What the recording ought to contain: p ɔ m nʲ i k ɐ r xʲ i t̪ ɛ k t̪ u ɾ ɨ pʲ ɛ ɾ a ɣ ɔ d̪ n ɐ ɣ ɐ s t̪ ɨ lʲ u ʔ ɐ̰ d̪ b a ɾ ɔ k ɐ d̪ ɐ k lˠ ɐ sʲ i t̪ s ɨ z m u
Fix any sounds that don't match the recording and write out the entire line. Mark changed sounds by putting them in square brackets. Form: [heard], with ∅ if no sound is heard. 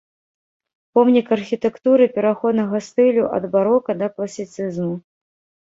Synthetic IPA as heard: p ɔ m nʲ i k ɐ r xʲ i t̪ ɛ k t̪ u ɾ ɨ pʲ ɛ ɾ a [x] ɔ d̪ n ɐ ɣ ɐ s t̪ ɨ lʲ u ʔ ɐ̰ d̪ b a ɾ ɔ k ɐ d̪ ɐ k lˠ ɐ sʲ i t̪ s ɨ z m u